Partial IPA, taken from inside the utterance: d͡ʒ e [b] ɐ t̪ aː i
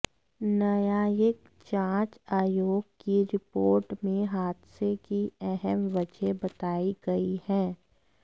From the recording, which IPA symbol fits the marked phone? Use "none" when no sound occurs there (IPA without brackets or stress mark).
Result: b